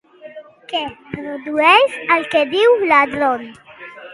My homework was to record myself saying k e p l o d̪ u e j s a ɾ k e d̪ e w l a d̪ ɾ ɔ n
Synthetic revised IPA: k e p ɾ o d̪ u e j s a l k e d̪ i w l a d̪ ɾ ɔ n